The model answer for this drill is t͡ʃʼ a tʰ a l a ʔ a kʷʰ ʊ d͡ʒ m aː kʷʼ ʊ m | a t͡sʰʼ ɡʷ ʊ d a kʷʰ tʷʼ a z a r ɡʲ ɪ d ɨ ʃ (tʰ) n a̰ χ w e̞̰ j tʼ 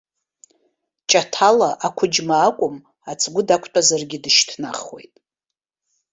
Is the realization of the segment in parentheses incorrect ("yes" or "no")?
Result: no